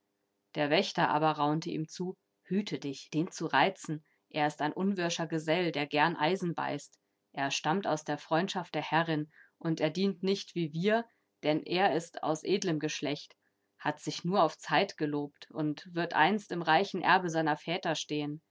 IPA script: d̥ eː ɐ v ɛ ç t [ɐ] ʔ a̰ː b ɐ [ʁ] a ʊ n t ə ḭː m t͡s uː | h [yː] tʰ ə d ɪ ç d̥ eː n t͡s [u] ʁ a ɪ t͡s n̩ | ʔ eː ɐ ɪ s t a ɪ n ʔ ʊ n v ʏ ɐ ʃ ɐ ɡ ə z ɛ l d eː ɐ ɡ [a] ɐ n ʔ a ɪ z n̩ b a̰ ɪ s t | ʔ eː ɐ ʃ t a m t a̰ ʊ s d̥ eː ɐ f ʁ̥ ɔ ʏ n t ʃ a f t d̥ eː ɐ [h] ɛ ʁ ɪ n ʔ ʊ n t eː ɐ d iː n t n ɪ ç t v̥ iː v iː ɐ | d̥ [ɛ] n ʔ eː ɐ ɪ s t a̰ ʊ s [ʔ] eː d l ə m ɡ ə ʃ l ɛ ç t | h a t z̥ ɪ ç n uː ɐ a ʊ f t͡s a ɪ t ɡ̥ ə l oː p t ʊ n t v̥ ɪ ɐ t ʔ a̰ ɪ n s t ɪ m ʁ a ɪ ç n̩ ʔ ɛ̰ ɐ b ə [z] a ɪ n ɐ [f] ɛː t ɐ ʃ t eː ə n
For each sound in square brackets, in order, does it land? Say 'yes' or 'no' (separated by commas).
yes, yes, yes, yes, no, yes, yes, yes, yes, yes